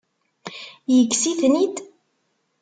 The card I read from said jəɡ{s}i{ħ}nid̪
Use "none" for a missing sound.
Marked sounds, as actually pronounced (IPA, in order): s, θ

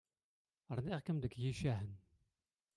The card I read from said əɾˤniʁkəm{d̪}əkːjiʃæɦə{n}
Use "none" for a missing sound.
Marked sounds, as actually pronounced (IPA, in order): d̪, n

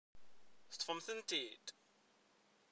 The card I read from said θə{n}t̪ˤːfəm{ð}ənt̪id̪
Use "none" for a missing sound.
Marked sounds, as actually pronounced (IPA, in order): none, θ

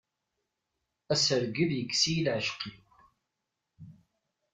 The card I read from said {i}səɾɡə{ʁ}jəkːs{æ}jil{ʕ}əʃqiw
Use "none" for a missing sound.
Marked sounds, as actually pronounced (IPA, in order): æ, ð, i, ʕ

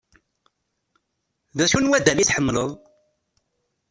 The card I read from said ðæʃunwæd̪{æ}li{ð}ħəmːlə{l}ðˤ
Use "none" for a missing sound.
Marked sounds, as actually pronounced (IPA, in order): æ, θ, none

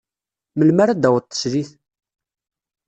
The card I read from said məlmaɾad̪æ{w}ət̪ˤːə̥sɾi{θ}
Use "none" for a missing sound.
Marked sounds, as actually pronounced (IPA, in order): w, θ

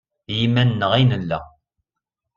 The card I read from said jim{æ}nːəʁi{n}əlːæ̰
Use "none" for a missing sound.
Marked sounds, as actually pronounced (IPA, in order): æ, n

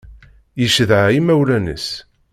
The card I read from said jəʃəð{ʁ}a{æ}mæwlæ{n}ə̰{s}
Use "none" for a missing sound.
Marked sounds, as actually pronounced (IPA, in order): ʕ, i, n, s

